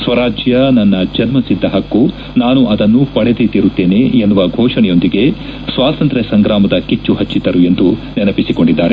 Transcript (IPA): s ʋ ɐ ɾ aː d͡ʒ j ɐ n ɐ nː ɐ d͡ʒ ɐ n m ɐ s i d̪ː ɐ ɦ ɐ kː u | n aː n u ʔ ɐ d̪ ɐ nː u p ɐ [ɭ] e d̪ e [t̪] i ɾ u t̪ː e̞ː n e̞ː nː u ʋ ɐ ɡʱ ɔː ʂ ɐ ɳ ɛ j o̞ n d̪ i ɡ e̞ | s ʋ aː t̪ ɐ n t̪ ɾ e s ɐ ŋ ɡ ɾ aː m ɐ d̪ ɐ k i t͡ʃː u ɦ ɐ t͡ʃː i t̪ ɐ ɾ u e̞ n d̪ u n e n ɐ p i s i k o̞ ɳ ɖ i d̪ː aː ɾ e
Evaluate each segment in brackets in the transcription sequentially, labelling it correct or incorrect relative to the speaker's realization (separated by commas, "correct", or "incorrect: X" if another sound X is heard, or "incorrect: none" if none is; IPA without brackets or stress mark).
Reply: incorrect: ɽ, correct